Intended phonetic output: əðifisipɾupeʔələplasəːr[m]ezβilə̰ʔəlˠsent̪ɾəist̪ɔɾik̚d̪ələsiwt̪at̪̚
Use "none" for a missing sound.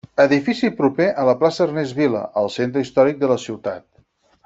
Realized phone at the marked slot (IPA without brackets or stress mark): n